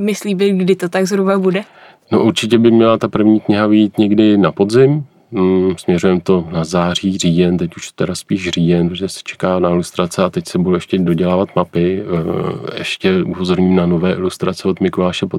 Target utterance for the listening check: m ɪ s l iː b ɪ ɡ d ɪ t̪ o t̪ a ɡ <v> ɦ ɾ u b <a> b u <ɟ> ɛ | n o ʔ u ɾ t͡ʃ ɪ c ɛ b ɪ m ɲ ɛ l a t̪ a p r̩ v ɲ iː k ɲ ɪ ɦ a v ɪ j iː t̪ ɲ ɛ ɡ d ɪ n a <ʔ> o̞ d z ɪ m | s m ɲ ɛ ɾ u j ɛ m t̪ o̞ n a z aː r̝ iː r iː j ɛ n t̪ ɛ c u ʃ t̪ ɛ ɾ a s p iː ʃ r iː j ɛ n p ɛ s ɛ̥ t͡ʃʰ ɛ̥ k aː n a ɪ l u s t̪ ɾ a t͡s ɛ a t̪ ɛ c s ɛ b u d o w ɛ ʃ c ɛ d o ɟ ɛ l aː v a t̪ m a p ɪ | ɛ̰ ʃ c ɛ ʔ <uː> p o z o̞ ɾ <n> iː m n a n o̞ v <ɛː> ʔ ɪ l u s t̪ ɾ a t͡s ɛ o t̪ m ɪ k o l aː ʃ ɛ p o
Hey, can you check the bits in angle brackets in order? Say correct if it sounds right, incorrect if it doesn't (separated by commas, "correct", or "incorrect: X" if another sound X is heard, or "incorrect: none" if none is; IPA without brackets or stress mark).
incorrect: z, correct, incorrect: d, incorrect: p, incorrect: u, incorrect: ɲ, correct